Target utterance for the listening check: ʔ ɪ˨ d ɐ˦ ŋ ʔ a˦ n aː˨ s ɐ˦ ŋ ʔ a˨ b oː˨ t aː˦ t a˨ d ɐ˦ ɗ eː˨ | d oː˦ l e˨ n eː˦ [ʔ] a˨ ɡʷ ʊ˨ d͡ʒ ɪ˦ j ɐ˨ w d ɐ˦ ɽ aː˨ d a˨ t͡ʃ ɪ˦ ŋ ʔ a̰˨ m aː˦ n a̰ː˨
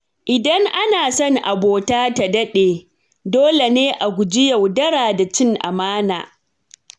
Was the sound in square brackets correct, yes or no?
yes